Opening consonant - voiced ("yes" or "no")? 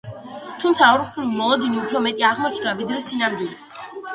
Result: no